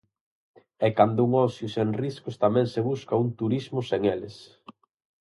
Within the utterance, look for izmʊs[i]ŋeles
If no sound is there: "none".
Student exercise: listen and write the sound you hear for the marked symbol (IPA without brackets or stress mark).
e